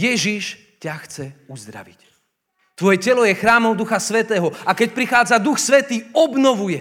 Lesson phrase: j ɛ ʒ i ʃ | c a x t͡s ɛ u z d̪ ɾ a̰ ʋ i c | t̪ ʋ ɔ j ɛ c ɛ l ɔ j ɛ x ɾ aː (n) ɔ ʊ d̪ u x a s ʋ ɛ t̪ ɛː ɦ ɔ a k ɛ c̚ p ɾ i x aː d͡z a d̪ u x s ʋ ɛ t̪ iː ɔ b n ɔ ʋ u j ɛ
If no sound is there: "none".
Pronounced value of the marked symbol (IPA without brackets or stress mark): m